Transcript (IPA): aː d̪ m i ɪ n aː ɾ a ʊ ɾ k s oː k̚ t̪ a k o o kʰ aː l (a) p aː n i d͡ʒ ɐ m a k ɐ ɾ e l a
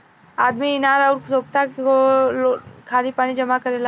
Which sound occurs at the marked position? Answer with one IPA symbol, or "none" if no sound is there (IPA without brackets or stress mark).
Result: i